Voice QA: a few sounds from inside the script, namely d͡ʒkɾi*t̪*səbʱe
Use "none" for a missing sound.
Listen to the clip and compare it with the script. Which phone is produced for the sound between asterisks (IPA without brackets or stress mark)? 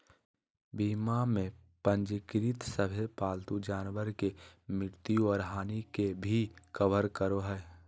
t̪